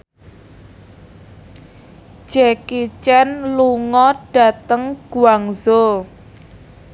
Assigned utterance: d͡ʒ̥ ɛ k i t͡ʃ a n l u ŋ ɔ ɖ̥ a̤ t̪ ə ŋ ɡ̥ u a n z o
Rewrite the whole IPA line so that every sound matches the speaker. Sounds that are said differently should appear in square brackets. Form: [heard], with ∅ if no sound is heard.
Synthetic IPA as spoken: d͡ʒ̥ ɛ k i t͡ʃ [ɛ] n l u ŋ ɔ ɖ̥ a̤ t̪ ə ŋ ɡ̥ u a [ŋ] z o

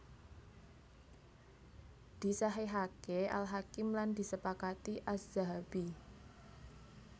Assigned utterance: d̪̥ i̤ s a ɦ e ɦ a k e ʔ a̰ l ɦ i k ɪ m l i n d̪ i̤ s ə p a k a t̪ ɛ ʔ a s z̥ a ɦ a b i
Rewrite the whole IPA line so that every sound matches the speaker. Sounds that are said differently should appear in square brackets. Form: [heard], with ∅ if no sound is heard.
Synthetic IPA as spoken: d̪̥ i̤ s a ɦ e ɦ a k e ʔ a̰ l ɦ [a] k ɪ m l [a] n d̪ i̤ s ə p a k a t̪ [i] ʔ a s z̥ a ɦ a b i

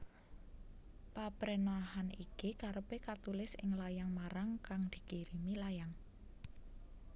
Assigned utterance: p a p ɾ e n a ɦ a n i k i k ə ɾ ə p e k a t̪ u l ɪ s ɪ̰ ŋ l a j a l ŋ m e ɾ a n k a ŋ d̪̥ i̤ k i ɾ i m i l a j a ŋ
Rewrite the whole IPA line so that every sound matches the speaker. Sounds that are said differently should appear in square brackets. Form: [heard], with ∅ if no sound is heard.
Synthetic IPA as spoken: p a p ɾ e n a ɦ a n i k i k [a] ɾ ə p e k a t̪ u l ɪ s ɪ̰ ŋ l a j a [∅] ŋ m [a] ɾ a [ŋ] k a ŋ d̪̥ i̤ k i ɾ i m i l a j a ŋ

